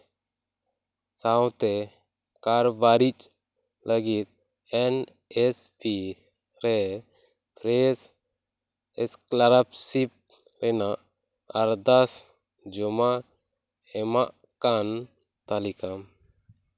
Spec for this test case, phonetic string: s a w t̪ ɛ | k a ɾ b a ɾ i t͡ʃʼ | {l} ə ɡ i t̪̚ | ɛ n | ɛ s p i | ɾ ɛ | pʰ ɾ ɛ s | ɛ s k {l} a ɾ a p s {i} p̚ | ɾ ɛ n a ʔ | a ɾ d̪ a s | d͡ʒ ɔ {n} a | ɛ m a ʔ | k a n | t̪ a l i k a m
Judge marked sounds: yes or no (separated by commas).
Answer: yes, yes, yes, no